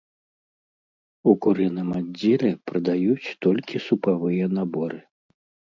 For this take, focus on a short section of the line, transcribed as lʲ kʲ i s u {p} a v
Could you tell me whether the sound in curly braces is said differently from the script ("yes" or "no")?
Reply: no